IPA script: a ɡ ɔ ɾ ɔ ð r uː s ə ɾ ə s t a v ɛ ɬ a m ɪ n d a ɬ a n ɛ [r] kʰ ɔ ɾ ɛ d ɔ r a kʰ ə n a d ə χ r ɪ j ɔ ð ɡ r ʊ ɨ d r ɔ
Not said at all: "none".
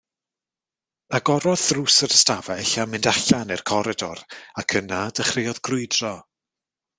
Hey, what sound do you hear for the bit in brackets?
r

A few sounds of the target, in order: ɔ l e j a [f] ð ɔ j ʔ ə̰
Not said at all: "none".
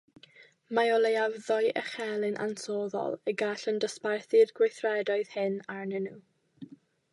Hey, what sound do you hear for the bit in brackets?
v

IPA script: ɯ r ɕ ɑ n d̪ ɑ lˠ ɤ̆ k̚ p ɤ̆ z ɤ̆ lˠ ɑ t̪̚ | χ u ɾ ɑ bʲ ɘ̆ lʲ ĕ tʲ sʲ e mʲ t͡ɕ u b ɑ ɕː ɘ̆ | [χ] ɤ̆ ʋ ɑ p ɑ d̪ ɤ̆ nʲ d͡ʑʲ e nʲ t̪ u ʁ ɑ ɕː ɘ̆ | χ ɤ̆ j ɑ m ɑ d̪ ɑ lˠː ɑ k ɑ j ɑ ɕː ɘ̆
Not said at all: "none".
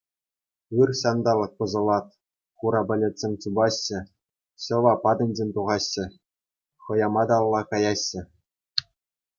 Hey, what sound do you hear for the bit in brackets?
ɕ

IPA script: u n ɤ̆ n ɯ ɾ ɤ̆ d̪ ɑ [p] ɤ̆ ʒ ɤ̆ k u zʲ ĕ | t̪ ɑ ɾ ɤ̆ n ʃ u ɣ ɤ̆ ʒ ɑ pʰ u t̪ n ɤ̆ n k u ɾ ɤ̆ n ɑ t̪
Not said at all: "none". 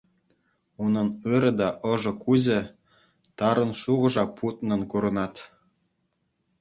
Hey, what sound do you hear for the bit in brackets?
ʔ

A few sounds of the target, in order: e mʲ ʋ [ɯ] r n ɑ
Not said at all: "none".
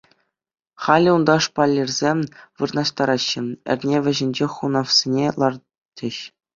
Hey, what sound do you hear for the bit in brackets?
ɯ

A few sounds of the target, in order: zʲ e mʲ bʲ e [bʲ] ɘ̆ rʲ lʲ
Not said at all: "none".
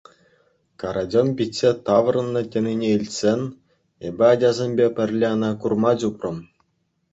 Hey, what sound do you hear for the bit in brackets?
pʲ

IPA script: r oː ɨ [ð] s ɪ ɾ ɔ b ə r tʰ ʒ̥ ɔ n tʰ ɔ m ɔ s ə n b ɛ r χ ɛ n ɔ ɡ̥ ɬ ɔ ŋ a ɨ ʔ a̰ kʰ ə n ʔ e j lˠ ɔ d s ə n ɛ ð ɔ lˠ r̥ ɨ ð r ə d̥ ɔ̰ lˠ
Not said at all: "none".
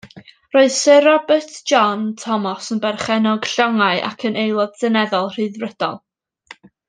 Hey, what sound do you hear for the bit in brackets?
ð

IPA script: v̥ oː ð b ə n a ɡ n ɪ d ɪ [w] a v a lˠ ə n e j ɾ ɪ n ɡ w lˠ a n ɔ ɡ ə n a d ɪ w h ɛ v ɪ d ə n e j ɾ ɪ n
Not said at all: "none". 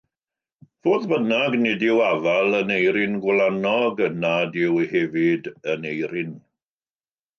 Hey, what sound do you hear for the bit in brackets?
w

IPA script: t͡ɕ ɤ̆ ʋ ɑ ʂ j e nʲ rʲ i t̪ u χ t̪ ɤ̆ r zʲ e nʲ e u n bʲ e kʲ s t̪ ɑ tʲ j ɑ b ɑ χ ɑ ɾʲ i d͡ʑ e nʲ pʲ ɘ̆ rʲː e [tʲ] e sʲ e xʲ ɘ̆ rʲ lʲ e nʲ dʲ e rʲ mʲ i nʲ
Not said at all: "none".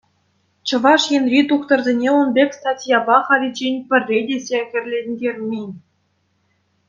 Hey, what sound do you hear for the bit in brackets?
dʲ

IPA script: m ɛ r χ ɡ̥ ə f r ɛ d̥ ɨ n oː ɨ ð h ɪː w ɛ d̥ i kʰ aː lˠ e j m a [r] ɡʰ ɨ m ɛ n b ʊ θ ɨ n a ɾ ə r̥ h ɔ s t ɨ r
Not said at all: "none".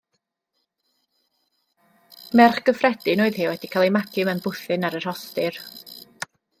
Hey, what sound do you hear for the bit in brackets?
none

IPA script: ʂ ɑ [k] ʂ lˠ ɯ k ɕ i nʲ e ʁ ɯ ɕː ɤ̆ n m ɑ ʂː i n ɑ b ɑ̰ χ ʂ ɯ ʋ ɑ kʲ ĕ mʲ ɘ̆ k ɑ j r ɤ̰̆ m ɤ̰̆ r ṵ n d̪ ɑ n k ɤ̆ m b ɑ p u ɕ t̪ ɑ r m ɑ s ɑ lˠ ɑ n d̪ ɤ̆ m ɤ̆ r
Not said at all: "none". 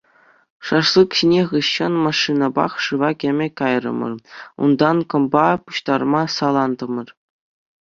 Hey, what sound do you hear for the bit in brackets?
none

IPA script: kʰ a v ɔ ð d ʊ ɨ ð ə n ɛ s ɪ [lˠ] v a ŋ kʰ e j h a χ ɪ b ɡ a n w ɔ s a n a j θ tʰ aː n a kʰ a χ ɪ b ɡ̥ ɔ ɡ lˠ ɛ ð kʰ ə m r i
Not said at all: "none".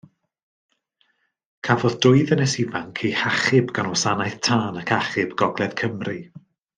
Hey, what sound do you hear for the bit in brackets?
none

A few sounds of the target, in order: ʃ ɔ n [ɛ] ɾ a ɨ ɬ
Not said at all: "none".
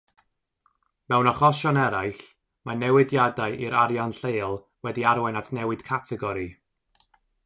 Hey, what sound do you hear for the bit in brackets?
ɛ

